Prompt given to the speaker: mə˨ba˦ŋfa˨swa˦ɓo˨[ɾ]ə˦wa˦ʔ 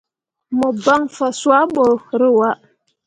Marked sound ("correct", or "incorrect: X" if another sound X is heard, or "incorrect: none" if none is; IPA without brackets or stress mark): correct